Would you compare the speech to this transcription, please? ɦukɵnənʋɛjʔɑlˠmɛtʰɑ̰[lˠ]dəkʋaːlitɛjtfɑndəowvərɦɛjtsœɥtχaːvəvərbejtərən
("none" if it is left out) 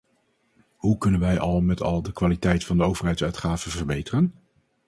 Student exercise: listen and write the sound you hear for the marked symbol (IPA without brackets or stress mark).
lˠ